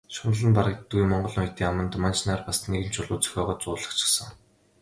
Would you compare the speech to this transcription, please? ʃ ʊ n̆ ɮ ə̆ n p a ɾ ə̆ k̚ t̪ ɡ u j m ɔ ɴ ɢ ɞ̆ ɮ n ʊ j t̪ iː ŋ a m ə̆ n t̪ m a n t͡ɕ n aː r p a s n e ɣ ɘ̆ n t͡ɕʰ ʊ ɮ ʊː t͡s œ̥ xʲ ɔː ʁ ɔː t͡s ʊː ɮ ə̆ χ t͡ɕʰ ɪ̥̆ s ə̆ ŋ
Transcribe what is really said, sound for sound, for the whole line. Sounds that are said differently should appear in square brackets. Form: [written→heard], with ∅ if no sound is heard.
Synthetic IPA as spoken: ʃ ʊ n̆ ɮ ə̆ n p a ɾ ə̆ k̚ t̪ ɡ u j m ɔ ɴ ɢ ɞ̆ ɮ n ʊ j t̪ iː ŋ a m ə̆ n t̪ m a n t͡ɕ n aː r p a s n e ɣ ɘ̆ n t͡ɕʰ ʊ ɮ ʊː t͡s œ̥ xʲ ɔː ʁ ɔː t͡s ʊː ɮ ə̆ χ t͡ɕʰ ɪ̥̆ s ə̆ ŋ